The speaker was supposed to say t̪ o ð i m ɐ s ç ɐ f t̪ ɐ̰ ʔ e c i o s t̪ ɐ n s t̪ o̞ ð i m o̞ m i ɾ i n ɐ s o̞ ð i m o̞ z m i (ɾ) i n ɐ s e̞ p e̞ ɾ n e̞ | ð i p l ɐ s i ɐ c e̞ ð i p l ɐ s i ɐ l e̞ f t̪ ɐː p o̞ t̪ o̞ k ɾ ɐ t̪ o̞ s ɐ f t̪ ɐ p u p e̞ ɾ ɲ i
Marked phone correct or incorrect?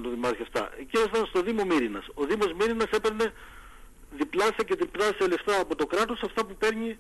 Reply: correct